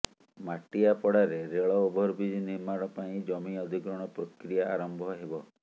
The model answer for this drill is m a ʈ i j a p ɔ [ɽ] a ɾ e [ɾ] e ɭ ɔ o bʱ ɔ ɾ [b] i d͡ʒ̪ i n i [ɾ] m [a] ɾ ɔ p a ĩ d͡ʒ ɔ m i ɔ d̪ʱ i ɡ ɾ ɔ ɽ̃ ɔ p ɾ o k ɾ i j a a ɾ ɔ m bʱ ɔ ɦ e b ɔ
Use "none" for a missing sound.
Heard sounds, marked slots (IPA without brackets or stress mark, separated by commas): ɽ, ɾ, b, ɾ, a